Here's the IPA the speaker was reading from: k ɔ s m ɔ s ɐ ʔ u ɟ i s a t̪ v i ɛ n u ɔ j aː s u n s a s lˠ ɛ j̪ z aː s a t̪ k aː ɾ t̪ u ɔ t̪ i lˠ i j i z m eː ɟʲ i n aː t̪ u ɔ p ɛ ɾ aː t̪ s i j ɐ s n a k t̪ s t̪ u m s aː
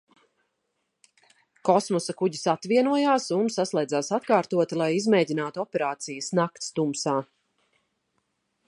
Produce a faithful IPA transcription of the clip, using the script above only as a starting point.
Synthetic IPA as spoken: k ɔ s m ɔ s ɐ k u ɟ i s a t̪ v i ɛ n u ɔ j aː s u n s a s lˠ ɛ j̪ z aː s a t̪ k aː ɾ t̪ u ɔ t̪ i lˠ a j i z m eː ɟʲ i n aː t̪ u ɔ p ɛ ɾ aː t̪ s i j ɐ s n a k t̪ s t̪ u m s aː